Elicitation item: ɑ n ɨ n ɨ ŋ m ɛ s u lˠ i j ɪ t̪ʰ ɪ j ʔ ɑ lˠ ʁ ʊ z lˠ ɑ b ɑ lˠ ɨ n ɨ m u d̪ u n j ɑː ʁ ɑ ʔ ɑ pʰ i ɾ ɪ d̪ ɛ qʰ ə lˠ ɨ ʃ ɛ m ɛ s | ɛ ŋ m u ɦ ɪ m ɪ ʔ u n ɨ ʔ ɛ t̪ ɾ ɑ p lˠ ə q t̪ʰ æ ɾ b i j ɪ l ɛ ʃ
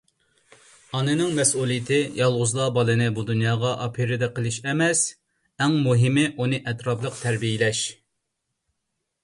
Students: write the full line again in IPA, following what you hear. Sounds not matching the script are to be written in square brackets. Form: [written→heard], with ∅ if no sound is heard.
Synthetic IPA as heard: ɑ n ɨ n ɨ ŋ m ɛ s u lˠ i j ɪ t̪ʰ ɪ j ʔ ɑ lˠ ʁ ʊ z lˠ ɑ b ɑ lˠ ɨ n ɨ [m→b] u d̪ u n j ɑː ʁ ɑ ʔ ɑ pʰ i ɾ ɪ d̪ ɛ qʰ ə lˠ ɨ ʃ ɛ m ɛ s | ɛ ŋ m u ɦ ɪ m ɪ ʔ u n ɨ ʔ ɛ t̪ ɾ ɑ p lˠ ə q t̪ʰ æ ɾ b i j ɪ l ɛ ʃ